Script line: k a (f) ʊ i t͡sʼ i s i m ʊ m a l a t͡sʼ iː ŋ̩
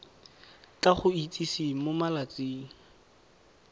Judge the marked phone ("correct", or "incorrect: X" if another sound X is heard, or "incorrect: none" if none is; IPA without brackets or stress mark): incorrect: χ